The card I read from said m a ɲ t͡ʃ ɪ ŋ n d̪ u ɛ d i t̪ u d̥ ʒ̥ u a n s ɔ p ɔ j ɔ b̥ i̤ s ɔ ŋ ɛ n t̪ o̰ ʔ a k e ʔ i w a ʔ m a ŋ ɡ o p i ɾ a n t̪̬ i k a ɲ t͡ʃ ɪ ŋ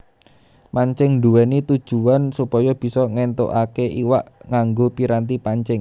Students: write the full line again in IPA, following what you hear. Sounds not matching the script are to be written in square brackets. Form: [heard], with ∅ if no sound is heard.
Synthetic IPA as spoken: m a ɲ t͡ʃ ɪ ŋ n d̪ u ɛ [n] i t̪ u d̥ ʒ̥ u a n s [u] p ɔ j ɔ b̥ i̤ s ɔ ŋ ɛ n t̪ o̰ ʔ a k e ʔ i w a ʔ [ŋ] a ŋ ɡ o p i ɾ a n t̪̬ i [p] a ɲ t͡ʃ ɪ ŋ